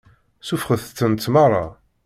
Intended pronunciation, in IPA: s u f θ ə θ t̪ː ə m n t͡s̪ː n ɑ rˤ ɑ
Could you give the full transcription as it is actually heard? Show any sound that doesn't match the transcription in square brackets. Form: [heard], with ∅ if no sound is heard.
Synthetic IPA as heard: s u f [χ] ə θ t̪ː ə [∅] n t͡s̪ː [m] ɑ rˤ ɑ